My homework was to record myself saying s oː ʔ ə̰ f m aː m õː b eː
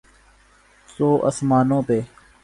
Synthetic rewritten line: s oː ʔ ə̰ s m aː n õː p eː